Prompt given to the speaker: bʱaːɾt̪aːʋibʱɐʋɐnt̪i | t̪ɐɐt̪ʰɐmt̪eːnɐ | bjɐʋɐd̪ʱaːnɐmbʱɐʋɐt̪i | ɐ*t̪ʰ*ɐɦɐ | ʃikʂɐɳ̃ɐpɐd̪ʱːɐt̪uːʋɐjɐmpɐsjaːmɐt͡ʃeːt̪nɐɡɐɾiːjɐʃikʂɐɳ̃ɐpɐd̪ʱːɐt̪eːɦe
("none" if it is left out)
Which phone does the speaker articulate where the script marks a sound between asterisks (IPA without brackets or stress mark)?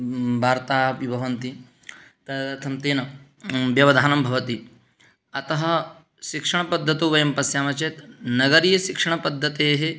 t̪